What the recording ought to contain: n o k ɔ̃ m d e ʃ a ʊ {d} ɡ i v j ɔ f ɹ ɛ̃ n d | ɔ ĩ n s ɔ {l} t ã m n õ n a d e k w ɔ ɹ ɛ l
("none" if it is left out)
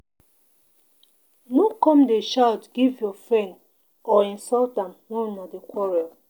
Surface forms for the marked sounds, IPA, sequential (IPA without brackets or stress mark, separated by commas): t, l